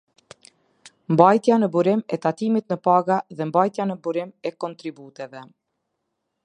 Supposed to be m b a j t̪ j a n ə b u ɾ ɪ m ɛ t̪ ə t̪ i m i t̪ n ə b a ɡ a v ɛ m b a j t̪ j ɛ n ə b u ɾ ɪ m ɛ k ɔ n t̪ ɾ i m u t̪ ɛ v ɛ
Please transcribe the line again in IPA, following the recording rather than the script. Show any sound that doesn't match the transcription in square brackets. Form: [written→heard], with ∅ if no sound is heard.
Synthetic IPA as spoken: m b a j t̪ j a n ə b u ɾ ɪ m ɛ t̪ [ə→a] t̪ i m i t̪ n ə [b→p] a ɡ a [v→ð] ɛ m b a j t̪ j [ɛ→a] n ə b u ɾ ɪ m ɛ k ɔ n t̪ ɾ i [m→b] u t̪ ɛ v ɛ